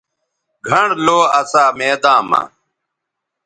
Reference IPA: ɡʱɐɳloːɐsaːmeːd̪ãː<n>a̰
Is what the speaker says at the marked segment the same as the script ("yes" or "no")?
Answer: no